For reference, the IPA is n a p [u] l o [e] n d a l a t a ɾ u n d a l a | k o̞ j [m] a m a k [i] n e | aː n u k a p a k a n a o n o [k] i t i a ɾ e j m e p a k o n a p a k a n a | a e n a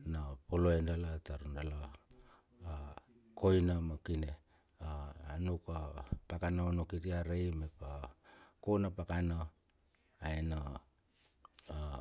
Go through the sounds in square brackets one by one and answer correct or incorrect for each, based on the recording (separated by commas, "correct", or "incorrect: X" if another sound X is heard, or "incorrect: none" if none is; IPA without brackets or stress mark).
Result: incorrect: o, correct, incorrect: n, correct, correct